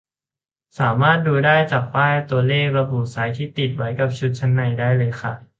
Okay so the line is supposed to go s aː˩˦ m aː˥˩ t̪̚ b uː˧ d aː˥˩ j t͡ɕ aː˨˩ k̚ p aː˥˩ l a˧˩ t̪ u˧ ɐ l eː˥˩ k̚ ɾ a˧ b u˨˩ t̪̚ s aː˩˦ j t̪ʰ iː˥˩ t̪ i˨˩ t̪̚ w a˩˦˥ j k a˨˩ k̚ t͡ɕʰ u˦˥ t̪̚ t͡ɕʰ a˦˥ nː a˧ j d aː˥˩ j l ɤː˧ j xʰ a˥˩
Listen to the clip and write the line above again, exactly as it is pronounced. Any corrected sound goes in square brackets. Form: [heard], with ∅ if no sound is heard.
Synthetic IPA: s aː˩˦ m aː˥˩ t̪̚ [d] uː˧ d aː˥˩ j t͡ɕ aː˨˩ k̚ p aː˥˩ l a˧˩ t̪ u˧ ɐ l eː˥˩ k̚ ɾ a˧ b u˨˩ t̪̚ s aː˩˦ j t̪ʰ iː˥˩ t̪ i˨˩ t̪̚ w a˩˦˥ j k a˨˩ [p̚] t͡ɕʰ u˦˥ t̪̚ t͡ɕʰ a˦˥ nː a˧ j d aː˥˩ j l ɤː˧ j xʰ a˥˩

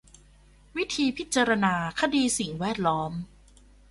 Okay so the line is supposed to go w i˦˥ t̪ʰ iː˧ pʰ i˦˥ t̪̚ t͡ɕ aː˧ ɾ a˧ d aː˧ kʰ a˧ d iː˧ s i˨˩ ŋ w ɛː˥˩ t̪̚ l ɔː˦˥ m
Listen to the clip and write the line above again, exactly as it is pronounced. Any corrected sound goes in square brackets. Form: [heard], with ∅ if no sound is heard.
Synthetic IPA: w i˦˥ t̪ʰ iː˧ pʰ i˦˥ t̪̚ t͡ɕ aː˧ ɾ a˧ [n] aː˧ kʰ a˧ d iː˧ s i˨˩ ŋ w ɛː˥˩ t̪̚ l ɔː˦˥ m

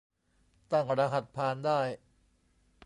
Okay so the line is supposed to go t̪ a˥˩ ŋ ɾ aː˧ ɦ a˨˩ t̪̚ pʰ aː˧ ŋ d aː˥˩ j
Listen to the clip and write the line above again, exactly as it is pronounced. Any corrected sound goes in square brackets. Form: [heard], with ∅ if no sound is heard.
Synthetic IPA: t̪ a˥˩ ŋ ɾ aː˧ ɦ a˨˩ t̪̚ pʰ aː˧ [n] d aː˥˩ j

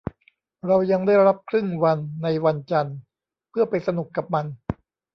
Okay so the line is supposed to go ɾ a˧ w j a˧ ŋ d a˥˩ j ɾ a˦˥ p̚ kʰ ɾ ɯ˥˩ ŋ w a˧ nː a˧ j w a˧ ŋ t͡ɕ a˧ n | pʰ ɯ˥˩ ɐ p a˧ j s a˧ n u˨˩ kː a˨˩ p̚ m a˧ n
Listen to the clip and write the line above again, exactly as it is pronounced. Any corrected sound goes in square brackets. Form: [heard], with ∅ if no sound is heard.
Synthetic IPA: ɾ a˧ w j a˧ ŋ d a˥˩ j ɾ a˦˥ p̚ kʰ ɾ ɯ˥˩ ŋ w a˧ nː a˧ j w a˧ [n] t͡ɕ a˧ n | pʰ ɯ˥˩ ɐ p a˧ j s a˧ n u˨˩ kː a˨˩ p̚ m a˧ n

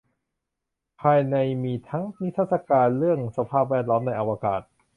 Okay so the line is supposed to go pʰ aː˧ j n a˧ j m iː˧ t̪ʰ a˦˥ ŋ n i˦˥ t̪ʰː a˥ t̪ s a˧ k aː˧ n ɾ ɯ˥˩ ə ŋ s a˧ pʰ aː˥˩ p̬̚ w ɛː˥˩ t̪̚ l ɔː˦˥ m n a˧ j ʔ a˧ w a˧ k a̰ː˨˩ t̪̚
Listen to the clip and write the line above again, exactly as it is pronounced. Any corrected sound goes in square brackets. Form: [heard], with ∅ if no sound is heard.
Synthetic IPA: pʰ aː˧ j n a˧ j m iː˧ t̪ʰ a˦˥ ŋ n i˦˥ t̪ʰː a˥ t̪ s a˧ k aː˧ n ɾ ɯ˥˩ ə ŋ s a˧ pʰ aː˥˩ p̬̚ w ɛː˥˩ t̪̚ l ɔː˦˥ m n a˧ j ʔ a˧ w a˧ k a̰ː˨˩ t̪̚

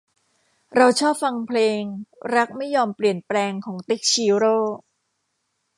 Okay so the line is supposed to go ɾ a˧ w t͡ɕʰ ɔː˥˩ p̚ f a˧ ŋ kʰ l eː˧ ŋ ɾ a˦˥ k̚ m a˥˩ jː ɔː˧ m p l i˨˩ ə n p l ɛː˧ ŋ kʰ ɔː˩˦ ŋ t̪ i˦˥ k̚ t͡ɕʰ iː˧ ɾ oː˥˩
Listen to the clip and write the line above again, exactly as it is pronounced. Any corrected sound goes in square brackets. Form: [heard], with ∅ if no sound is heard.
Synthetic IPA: ɾ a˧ w t͡ɕʰ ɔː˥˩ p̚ f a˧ ŋ [pʰ] l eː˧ ŋ ɾ a˦˥ k̚ m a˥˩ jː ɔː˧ m p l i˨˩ ə n p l ɛː˧ ŋ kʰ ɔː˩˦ ŋ t̪ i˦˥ k̚ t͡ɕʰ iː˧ ɾ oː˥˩

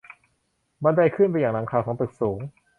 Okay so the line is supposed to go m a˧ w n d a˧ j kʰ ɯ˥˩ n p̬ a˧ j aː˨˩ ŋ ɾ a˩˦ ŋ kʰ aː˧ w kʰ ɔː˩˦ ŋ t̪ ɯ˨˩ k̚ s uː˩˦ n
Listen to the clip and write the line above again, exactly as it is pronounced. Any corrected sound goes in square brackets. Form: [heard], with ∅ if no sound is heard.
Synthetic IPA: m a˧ [∅] n d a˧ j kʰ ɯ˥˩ n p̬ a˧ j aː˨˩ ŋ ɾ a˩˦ ŋ kʰ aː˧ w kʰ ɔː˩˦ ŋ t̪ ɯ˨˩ k̚ s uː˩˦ [ŋ]

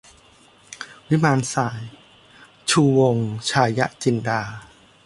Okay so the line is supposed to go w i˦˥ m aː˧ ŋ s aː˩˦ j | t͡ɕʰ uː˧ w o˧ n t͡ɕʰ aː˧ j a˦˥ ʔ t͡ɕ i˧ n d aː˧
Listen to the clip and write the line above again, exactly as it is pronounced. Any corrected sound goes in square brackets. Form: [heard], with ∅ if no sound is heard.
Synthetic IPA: w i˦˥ m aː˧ [n] s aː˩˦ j | t͡ɕʰ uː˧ w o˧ [ŋ] t͡ɕʰ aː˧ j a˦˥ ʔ t͡ɕ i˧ n d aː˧

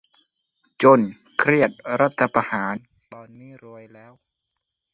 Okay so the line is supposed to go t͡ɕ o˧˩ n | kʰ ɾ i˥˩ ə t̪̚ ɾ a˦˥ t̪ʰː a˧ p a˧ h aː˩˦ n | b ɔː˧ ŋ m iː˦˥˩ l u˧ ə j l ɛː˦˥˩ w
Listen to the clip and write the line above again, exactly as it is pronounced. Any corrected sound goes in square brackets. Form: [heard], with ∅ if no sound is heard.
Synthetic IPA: t͡ɕ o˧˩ n | kʰ ɾ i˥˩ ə t̪̚ ɾ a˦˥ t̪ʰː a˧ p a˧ h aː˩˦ n | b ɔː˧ [n] m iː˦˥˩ [ɾ] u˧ ə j l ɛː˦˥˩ w

